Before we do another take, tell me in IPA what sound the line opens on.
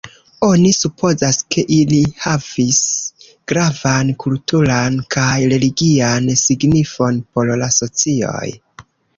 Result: o̞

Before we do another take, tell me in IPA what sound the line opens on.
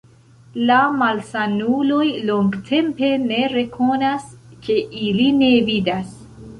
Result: l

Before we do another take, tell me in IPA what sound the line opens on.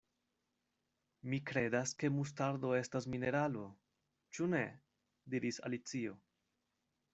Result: m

